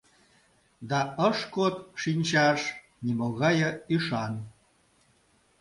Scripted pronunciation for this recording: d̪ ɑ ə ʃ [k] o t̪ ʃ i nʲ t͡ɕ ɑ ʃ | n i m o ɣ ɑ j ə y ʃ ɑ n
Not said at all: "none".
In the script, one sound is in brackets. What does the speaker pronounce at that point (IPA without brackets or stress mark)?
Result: k